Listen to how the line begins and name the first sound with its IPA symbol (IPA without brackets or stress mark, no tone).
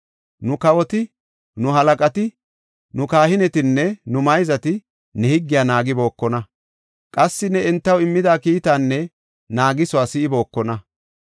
n